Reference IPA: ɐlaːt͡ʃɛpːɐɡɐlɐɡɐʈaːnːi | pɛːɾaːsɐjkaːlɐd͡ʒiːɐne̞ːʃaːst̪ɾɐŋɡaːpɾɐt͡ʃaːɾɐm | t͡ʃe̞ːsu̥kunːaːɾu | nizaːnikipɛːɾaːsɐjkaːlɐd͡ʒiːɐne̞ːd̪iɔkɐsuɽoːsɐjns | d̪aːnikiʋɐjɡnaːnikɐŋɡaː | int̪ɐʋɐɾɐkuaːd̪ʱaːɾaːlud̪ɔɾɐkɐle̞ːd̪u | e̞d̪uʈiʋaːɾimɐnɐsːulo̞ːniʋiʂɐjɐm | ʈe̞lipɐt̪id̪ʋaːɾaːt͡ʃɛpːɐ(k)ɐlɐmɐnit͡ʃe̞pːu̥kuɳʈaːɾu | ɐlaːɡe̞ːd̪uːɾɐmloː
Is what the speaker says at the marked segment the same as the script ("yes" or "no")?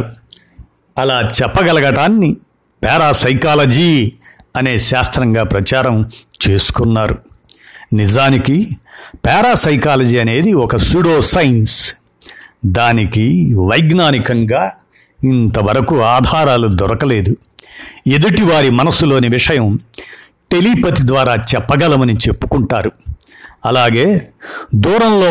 no